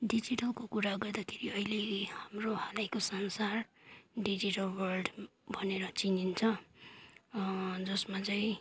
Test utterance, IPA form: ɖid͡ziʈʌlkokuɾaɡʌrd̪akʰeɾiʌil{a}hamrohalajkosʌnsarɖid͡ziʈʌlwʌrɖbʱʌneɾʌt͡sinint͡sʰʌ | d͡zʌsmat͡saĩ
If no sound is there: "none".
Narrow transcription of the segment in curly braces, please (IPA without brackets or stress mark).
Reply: e